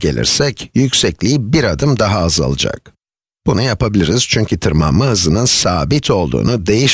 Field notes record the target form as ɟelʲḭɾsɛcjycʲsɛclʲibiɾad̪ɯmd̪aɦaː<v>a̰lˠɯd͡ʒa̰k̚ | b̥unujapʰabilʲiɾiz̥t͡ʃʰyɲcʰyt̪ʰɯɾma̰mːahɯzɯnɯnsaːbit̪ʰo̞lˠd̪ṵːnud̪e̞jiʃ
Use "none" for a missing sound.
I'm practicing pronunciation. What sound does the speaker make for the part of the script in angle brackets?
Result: z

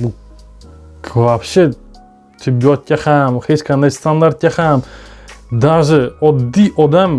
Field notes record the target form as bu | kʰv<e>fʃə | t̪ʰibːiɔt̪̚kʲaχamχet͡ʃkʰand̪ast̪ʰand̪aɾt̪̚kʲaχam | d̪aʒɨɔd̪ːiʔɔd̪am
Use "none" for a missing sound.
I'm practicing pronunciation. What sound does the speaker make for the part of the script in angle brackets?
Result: a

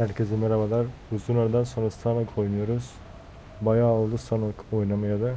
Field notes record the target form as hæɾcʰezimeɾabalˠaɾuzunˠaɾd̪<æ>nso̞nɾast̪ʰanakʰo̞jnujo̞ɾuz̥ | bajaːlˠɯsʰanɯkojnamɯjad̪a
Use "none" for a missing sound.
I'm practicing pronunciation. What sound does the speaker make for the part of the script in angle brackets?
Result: a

